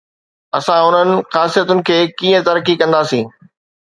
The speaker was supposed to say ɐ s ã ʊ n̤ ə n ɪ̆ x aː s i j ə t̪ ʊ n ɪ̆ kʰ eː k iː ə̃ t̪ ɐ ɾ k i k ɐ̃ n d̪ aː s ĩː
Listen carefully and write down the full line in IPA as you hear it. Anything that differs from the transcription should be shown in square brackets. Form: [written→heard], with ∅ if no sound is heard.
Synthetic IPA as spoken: ɐ s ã ʊ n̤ ə n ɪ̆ x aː s i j ə t̪ ʊ n ɪ̆ kʰ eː k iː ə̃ t̪ ɐ ɾ k i k ɐ̃ n d̪ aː s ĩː